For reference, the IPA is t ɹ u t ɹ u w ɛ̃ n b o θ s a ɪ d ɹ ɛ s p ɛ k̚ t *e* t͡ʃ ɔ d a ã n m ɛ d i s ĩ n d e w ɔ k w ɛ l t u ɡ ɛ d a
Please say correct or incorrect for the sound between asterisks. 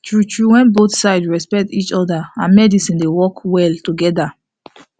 incorrect